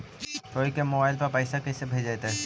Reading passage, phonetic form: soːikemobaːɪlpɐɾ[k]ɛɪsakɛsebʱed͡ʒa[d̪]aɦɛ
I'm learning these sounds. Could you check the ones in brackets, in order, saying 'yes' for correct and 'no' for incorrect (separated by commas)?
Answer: no, no